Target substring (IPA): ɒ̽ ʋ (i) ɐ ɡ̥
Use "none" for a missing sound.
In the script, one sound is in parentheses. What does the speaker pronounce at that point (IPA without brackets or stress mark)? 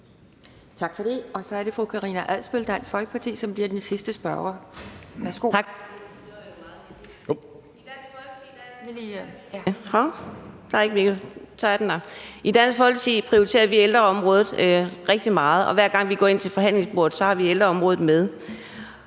æ